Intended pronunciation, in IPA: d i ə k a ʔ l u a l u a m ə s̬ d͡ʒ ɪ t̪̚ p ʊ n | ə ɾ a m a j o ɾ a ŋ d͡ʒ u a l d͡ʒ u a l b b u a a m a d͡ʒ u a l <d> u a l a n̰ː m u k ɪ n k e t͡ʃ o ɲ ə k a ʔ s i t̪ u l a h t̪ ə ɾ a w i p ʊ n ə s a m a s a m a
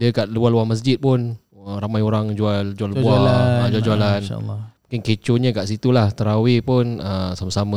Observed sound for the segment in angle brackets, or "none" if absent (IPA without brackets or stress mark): d͡ʒ